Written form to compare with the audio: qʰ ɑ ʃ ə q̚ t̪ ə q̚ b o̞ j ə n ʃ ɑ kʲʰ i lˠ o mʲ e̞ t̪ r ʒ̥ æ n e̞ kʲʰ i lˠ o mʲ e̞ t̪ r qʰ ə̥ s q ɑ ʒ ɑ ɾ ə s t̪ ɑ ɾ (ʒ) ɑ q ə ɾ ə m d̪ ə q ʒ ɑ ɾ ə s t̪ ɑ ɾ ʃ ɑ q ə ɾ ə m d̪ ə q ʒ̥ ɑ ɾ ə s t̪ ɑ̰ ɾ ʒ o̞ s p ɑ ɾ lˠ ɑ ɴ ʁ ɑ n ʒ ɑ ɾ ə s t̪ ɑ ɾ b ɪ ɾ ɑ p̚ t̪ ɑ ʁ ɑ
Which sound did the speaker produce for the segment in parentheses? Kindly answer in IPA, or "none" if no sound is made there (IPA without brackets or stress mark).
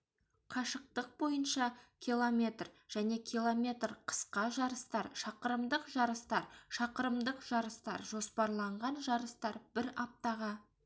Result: ʃ